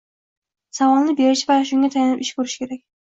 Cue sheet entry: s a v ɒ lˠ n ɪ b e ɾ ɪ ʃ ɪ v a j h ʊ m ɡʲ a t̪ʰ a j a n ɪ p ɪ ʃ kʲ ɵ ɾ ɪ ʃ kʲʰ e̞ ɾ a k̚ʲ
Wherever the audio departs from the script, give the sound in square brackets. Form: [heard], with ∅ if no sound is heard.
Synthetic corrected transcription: s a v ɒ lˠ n ɪ b e ɾ ɪ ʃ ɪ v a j [ʃ] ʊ [ŋ] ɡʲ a t̪ʰ a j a n ɪ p ɪ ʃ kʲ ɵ ɾ ɪ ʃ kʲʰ e̞ ɾ a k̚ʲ